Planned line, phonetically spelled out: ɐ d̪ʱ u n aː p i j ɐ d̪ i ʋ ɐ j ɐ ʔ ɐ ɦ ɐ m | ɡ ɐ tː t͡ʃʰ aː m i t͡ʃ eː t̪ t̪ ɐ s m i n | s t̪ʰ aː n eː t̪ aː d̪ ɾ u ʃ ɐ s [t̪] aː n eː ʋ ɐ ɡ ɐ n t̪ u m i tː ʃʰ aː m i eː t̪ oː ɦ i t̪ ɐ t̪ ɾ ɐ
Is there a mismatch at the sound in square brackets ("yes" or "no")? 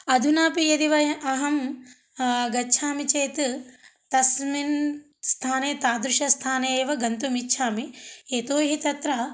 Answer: yes